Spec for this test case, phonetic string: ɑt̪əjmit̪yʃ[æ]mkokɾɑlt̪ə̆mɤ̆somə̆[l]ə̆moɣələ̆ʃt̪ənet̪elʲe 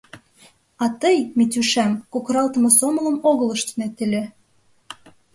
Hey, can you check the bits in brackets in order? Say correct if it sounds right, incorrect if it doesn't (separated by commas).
correct, correct